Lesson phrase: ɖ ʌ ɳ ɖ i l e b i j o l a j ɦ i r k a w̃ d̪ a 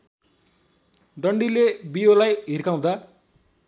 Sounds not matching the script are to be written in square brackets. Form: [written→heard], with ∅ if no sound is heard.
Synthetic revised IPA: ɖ ʌ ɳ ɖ i l e b i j o l a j ɦ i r k a w̃ d̪ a